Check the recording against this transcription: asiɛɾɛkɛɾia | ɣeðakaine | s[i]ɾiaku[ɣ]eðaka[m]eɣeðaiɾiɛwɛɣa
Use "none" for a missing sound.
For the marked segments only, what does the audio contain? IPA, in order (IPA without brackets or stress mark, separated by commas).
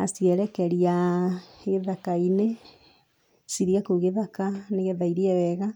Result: i, ɣ, n